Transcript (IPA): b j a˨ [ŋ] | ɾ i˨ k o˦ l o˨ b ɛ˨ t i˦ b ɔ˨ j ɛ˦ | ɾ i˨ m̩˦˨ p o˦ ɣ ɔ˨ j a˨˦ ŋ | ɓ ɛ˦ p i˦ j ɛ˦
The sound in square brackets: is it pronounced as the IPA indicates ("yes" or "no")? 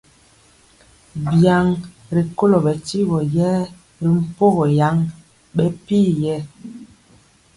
yes